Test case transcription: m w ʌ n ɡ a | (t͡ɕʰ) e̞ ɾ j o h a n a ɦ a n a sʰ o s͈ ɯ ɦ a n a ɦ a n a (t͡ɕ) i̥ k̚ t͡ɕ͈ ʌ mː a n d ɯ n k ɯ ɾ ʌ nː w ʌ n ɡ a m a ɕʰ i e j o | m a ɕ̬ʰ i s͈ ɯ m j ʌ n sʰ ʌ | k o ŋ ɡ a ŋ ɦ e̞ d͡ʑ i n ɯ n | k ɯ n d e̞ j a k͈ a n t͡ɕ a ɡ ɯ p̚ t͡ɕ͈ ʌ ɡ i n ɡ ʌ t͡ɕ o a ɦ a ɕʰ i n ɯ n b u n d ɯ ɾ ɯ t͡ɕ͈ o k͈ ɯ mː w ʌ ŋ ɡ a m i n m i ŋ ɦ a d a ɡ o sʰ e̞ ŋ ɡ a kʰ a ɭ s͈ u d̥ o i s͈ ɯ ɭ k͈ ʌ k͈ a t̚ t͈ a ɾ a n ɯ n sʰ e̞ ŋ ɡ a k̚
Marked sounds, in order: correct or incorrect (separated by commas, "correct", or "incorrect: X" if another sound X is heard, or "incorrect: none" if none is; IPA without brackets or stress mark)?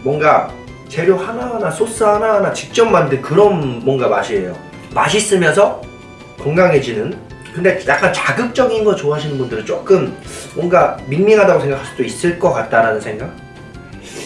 incorrect: t͡ɕ, correct